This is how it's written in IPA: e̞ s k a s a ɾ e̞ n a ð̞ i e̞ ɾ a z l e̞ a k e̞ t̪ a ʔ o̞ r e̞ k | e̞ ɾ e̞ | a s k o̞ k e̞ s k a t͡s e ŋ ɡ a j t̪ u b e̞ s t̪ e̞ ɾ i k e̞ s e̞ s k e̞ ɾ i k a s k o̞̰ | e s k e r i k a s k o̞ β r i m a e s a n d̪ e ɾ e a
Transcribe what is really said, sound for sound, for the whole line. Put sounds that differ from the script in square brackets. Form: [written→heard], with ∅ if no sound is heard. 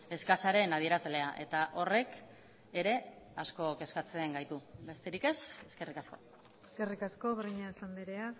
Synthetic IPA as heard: e̞ s k a s a ɾ e̞ n a ð̞ i e̞ ɾ a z l e̞ a [k→ʔ] e̞ t̪ a ʔ o̞ r e̞ k | e̞ ɾ e̞ | a s k o̞ k e̞ s k a t͡s e ŋ ɡ a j t̪ u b e̞ s t̪ e̞ ɾ i k e̞ s e̞ s k e̞ [ɾ→r] i k a s k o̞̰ | e s k e r i k a s k o̞ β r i [m→ɲ] a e s a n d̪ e ɾ e a